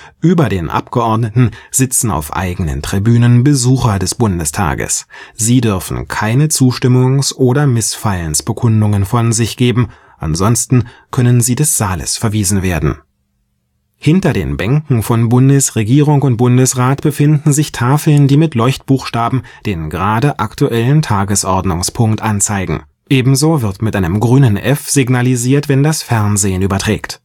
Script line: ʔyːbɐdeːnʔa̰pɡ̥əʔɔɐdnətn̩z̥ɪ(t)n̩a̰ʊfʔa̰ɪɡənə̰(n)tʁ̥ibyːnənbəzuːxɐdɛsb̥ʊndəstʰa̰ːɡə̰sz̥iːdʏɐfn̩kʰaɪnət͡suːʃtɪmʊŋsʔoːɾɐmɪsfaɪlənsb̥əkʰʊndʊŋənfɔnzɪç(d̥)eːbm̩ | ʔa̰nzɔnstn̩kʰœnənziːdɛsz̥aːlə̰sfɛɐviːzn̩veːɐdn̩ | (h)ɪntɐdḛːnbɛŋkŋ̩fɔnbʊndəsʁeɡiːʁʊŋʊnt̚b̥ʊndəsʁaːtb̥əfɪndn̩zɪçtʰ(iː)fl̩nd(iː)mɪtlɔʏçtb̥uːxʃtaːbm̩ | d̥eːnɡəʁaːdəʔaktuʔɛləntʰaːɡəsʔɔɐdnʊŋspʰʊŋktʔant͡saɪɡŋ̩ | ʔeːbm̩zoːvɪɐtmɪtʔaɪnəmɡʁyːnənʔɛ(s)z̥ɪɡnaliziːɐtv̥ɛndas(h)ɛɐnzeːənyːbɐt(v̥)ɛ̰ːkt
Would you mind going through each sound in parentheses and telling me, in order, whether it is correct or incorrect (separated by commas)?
incorrect, correct, incorrect, correct, incorrect, correct, incorrect, incorrect, incorrect